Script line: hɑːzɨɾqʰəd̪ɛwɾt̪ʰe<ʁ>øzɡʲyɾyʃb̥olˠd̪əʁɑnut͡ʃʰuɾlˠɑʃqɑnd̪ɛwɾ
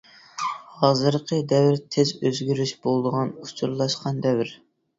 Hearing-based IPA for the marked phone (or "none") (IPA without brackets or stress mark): z